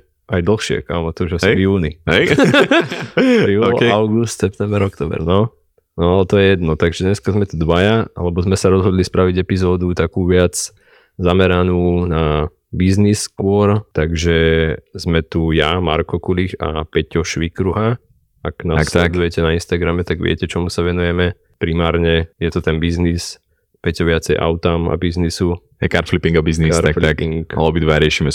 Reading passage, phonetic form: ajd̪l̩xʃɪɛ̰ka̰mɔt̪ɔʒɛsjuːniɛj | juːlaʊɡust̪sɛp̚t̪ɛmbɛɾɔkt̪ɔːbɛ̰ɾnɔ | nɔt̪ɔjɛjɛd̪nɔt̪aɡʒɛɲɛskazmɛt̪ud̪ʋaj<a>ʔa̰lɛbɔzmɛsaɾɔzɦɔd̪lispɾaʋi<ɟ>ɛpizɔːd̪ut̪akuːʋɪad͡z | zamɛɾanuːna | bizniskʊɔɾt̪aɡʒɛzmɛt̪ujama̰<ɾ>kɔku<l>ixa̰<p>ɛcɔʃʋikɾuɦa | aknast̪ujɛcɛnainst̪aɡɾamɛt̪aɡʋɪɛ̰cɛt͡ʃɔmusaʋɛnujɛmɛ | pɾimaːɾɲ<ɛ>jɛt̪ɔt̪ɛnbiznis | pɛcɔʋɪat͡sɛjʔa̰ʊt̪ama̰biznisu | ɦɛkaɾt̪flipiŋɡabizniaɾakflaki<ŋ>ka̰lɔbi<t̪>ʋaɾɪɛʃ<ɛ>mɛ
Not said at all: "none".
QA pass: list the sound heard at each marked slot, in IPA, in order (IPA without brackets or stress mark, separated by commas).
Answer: a, ɟ, ɾ, l, p, ɛ, ŋ, d̪, i